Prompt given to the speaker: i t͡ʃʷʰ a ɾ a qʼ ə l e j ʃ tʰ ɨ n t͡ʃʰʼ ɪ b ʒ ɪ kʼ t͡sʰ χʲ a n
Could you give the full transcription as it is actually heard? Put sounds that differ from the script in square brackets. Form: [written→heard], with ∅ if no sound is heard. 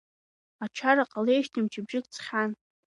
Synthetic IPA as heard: [i→a] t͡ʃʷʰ a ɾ a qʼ [ə→a] l e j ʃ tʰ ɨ [n→m] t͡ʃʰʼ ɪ b ʒ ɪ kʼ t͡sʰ χʲ a n